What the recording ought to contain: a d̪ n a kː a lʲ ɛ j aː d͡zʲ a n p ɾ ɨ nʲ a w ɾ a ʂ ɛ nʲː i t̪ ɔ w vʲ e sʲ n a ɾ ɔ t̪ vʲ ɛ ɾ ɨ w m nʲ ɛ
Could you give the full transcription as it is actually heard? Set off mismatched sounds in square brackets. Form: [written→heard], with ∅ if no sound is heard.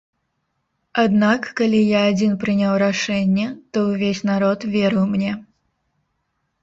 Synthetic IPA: a d̪ n a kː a lʲ [ɛ→i] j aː d͡zʲ [a→i] n p ɾ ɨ nʲ a w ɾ a ʂ ɛ nʲː [i→ɛ] t̪ ɔ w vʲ e sʲ n a ɾ ɔ t̪ vʲ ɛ ɾ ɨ w m nʲ ɛ